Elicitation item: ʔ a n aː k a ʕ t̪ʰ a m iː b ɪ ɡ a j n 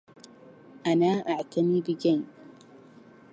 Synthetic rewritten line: ʔ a n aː ʔ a ʕ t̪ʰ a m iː b ɪ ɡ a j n